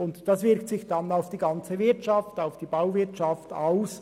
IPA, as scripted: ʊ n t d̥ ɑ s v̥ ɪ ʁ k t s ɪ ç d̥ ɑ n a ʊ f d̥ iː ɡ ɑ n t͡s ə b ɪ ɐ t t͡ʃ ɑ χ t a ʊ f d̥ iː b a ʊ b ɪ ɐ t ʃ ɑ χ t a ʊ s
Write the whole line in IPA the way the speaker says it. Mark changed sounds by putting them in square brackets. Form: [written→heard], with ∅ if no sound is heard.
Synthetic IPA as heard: ʊ n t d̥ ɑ s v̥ ɪ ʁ k t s ɪ ç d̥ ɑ n a ʊ f d̥ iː ɡ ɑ n t͡s ə [b→v] ɪ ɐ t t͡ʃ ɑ [χ→f] t a ʊ f d̥ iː b a ʊ [b→v] ɪ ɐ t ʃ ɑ [χ→f] t a ʊ s